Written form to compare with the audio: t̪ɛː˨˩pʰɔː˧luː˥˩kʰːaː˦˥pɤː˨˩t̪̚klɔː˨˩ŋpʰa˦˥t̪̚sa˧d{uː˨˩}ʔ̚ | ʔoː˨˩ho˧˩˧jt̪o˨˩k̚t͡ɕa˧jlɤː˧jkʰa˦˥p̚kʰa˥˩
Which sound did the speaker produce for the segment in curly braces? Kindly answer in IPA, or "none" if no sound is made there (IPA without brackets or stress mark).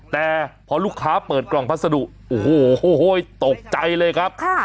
u˨˩